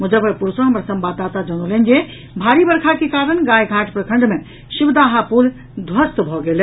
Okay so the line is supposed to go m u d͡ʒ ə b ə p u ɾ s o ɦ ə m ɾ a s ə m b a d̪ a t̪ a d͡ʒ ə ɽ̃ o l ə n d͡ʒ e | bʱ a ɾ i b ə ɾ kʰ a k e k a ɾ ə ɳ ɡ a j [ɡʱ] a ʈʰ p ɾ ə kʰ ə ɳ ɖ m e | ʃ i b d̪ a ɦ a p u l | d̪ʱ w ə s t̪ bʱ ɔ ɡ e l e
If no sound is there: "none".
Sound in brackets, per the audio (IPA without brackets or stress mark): ɡʱ